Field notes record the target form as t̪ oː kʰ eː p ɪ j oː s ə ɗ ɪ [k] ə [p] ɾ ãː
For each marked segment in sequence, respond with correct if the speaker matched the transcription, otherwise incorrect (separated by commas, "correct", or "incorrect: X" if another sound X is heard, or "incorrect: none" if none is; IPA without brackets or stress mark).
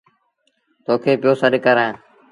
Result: correct, incorrect: none